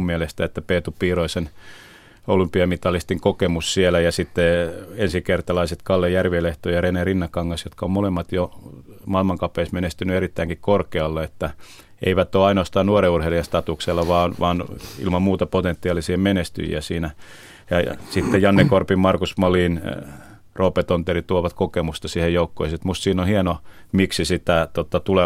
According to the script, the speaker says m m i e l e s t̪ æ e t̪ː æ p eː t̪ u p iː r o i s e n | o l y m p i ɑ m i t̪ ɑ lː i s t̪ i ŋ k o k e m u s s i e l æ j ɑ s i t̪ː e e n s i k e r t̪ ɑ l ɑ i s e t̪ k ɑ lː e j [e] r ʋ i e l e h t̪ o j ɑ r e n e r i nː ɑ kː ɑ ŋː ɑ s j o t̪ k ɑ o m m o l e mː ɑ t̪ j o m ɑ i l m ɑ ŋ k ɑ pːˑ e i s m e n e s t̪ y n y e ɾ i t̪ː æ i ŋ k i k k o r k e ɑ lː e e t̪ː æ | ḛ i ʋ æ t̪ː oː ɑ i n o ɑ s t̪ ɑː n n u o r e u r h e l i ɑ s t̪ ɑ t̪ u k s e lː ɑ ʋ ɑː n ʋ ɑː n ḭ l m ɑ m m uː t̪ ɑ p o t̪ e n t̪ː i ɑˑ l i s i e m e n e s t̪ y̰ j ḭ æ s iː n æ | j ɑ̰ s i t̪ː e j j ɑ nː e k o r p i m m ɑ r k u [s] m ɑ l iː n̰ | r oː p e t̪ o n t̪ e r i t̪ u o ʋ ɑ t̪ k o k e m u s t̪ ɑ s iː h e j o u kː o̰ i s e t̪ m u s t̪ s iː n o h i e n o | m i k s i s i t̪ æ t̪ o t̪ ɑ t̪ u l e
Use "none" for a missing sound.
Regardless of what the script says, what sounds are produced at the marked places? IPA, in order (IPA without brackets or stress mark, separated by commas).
æ, s